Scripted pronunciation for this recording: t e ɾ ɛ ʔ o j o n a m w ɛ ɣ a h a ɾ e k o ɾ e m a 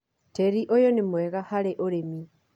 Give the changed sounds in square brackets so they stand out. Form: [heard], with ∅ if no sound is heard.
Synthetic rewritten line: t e ɾ [i] ʔ o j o n [e] m w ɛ ɣ a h a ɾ e [ʔ] o ɾ e m [i]